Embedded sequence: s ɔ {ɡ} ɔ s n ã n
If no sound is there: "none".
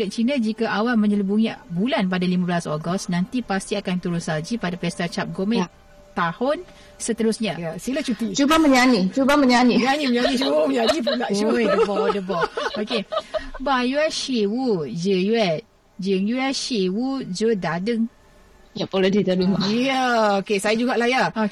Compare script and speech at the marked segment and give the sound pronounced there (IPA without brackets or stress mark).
ɡ